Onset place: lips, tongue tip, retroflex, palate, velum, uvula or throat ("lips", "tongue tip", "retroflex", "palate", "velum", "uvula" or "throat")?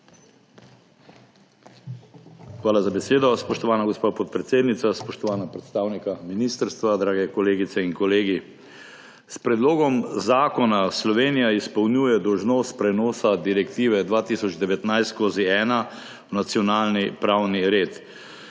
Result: velum